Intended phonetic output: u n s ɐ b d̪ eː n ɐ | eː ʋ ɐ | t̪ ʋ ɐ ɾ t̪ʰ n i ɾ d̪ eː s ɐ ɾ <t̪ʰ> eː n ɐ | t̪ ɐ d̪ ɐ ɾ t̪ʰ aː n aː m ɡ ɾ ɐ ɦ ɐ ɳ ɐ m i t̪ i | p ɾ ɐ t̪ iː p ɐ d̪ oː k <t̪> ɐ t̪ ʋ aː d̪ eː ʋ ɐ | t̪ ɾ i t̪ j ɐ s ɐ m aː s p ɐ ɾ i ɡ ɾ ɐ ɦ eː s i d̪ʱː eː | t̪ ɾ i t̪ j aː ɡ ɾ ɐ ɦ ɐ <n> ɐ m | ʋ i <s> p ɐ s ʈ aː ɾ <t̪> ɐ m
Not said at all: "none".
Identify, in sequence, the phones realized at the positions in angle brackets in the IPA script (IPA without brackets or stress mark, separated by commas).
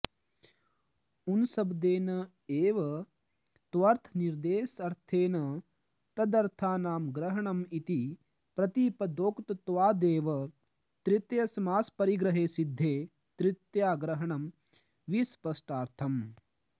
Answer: t̪ʰ, t̪, ɳ, s, t̪ʰ